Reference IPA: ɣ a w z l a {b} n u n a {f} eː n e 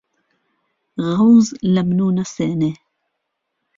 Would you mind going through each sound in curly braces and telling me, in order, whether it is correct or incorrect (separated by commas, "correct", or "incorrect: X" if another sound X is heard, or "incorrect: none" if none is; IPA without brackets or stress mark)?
incorrect: m, incorrect: s